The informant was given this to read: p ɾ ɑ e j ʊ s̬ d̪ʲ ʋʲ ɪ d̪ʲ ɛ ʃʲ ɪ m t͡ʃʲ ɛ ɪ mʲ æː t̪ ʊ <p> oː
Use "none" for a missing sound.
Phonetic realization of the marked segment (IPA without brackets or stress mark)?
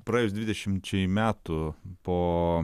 p